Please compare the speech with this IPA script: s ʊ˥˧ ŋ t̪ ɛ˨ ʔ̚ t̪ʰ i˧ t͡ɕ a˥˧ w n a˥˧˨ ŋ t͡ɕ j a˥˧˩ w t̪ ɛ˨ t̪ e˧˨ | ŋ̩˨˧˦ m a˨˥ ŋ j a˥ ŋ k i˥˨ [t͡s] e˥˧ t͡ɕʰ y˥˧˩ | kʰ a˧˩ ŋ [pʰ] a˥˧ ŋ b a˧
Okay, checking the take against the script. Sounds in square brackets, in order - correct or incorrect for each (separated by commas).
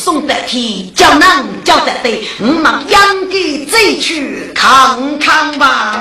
correct, incorrect